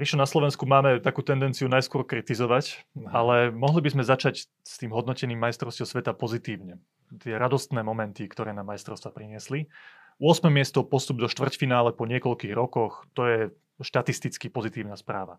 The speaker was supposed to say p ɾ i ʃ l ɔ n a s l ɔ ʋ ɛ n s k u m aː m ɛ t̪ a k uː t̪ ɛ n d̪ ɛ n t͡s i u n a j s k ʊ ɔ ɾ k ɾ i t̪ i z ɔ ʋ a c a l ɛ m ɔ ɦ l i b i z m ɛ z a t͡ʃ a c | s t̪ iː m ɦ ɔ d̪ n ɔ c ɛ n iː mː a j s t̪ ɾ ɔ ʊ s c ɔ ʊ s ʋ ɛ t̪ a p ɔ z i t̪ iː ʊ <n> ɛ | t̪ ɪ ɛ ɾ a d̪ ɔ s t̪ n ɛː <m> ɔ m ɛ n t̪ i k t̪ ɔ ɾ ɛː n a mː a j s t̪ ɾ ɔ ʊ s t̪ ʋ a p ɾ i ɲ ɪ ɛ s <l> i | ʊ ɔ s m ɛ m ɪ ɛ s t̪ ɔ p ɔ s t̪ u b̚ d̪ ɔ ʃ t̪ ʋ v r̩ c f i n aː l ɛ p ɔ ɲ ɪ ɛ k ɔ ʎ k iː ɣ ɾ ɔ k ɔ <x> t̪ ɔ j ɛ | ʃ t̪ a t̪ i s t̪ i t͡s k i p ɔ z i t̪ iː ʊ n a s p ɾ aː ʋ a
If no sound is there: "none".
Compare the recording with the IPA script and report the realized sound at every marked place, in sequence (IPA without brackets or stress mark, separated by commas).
ɲ, m, l, x